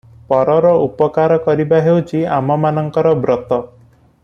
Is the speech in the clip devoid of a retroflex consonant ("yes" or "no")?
yes